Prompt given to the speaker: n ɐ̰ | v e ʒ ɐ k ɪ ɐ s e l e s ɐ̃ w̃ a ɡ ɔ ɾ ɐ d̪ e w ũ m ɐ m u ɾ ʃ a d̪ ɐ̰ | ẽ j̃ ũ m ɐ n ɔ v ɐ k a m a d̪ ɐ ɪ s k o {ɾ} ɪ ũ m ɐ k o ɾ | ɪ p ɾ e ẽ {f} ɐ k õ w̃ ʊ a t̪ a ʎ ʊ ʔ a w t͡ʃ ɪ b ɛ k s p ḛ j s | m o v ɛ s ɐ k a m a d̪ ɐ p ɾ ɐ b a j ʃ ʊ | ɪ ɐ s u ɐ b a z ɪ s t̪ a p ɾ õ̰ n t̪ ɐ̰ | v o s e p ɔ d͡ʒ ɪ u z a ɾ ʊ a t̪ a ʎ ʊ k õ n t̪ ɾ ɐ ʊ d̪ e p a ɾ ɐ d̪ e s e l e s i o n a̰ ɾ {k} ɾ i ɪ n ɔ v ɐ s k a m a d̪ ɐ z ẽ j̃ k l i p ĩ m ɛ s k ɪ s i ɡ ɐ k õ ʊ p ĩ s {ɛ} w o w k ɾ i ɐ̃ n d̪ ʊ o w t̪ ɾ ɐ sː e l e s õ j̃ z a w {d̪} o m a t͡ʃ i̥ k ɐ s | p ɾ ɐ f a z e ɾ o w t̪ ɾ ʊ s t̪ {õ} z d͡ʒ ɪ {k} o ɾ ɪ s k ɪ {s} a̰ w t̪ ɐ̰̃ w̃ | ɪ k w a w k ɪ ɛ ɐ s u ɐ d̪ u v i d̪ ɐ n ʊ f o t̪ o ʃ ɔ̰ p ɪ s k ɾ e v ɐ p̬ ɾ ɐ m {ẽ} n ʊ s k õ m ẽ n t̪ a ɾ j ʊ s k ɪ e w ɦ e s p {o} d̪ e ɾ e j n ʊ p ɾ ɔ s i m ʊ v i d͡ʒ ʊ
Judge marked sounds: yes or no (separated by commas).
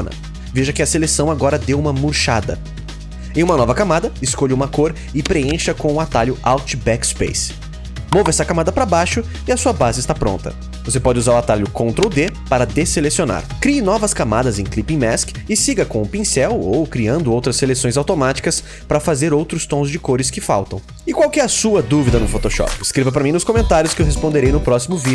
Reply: no, no, yes, yes, no, yes, yes, no, no, no